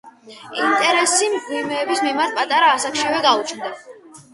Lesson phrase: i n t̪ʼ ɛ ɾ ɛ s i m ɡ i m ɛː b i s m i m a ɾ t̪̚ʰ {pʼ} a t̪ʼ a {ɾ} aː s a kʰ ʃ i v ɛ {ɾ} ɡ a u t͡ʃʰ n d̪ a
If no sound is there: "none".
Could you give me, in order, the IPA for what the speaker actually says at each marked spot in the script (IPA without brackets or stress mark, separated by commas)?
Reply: pʼ, ɾ, none